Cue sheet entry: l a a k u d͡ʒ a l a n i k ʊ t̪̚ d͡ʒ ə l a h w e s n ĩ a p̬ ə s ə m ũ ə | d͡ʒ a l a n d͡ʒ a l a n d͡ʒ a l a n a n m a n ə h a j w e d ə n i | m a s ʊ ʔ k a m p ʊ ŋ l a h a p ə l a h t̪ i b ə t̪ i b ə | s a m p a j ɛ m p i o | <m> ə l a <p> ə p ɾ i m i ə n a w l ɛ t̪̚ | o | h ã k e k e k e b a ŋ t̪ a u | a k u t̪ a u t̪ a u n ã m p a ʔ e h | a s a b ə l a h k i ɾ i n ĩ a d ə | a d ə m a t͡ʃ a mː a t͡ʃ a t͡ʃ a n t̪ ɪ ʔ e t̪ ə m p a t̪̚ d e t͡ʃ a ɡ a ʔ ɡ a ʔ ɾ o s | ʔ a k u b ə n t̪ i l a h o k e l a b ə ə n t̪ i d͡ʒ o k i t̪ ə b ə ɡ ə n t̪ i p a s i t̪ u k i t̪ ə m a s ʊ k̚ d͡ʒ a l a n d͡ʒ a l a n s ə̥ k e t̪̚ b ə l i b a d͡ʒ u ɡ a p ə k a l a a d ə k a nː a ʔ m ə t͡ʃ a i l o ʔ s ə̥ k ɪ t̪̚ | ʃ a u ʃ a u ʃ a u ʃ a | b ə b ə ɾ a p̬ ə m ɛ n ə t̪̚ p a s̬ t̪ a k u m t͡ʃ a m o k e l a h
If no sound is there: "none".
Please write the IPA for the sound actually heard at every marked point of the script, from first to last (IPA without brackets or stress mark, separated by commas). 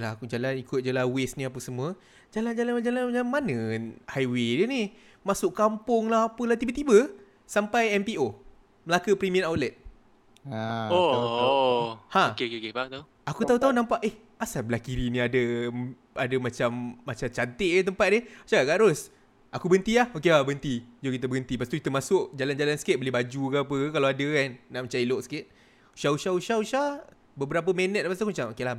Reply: m, k